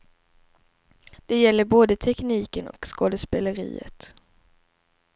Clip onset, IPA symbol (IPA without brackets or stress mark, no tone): d̪̥